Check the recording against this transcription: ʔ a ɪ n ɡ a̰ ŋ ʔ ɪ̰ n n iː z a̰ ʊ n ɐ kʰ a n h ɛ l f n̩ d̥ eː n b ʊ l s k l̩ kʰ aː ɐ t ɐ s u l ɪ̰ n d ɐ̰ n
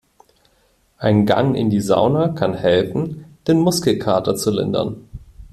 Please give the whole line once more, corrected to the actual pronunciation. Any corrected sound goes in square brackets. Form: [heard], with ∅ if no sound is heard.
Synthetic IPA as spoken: ʔ a ɪ n ɡ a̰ ŋ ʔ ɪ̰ n [d] iː z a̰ ʊ n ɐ kʰ a n h ɛ l f n̩ d̥ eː n [m] ʊ [∅] s k l̩ kʰ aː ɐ t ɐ [t͡s] u l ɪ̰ n d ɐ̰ n

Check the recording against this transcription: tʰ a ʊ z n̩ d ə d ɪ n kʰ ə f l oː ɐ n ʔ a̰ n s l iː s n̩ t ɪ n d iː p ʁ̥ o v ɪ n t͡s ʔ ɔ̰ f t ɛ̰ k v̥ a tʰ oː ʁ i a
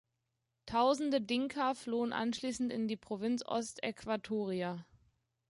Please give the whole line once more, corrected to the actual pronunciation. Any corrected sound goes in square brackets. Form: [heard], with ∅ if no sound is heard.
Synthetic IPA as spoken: tʰ a ʊ z n̩ d ə d ɪ [ŋ] kʰ [ɐ] f l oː [ə] n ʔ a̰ n [ʃ] l iː s n̩ t ɪ n d iː p ʁ̥ o v ɪ n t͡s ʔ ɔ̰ [s] t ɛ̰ k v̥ a tʰ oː ʁ i a

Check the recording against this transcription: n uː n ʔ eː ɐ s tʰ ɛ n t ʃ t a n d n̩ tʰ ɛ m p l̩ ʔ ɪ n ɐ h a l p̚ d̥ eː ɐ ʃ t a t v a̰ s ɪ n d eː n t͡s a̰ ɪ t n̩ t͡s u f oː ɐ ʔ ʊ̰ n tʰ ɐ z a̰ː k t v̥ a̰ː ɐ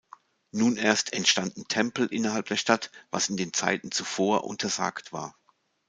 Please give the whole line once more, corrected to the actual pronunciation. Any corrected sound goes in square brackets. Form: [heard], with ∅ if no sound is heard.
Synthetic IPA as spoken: n uː n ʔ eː ɐ s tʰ ɛ n t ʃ t a n d n̩ tʰ ɛ m p l̩ ʔ ɪ n ɐ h a l p̚ d̥ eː ɐ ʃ t a t v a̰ s ɪ n d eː n t͡s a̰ ɪ t n̩ t͡s u f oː ɐ ʔ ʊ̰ n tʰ ɐ z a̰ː k t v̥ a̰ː ɐ

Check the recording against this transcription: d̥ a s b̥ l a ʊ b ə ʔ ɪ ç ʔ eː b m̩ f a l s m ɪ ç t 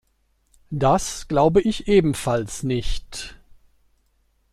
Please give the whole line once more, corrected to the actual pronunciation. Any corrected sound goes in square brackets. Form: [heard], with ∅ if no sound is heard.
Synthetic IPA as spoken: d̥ a s [ɡ̥] l a ʊ b ə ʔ ɪ ç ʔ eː b m̩ f a l s [n] ɪ ç t

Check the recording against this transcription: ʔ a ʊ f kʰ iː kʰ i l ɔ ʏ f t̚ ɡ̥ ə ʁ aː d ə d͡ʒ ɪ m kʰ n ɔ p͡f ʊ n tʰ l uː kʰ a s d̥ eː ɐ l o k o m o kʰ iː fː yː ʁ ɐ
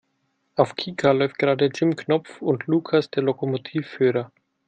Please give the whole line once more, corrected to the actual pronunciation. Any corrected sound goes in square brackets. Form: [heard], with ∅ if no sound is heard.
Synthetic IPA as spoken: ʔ a ʊ f kʰ iː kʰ [a] l ɔ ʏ f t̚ ɡ̥ ə ʁ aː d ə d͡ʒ ɪ m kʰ n ɔ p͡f ʊ n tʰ l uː kʰ a s d̥ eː ɐ l o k o m o [tʰ] iː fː yː ʁ ɐ

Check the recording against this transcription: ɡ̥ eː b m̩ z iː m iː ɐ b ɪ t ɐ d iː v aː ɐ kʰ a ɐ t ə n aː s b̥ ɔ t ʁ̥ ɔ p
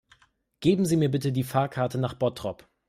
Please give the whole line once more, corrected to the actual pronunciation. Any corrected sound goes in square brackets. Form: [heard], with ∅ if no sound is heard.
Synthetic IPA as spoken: ɡ̥ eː b m̩ z iː m iː ɐ b ɪ t [ə] d iː [f] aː ɐ kʰ a ɐ t ə n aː [χ] b̥ ɔ t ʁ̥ ɔ p

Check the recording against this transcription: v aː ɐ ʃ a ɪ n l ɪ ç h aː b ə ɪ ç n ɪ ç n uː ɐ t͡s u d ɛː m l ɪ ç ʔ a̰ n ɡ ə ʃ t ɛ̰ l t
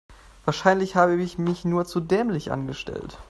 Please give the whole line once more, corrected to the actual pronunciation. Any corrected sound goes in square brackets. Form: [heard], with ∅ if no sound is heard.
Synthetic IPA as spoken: v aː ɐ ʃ a ɪ n l ɪ ç h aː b ə ɪ ç [m] ɪ ç n uː ɐ t͡s u d ɛː m l ɪ ç ʔ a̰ n ɡ ə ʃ t ɛ̰ l t

